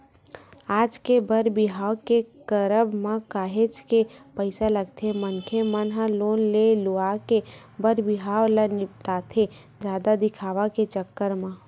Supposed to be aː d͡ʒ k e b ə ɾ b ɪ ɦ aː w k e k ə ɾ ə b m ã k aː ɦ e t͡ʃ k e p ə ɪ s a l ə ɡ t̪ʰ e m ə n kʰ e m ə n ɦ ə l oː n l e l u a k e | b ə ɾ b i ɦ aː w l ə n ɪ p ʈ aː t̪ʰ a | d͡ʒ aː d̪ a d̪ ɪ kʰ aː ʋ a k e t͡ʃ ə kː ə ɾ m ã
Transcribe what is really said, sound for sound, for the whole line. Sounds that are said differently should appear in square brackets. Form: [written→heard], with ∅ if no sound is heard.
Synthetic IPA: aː d͡ʒ k e b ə ɾ b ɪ ɦ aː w k e k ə ɾ ə b m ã k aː ɦ e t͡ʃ k e p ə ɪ s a l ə ɡ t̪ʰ e m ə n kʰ e m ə n ɦ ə l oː n l e l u a k e | b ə ɾ b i ɦ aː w l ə n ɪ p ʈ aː t̪ʰ [a→e] | d͡ʒ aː d̪ a d̪ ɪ kʰ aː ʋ a k e t͡ʃ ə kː ə ɾ m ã